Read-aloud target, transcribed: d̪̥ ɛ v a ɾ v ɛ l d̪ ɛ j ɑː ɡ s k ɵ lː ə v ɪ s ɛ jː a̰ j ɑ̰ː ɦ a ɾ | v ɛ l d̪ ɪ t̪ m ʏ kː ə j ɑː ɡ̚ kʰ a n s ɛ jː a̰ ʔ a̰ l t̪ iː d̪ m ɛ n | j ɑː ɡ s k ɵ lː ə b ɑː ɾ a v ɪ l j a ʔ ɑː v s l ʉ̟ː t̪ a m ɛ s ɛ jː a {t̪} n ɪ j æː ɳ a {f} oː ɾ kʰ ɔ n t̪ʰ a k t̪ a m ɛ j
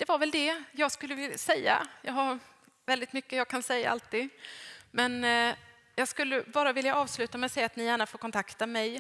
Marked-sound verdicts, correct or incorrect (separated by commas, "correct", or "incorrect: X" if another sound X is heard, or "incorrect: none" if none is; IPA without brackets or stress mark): correct, correct